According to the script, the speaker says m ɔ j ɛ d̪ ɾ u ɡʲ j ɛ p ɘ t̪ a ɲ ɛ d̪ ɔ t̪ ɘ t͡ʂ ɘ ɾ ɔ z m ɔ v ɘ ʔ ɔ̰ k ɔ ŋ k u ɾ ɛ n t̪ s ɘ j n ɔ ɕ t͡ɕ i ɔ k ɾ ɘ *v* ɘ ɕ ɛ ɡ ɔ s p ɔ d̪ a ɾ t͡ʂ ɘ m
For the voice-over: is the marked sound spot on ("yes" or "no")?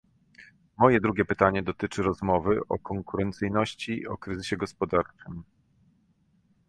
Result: no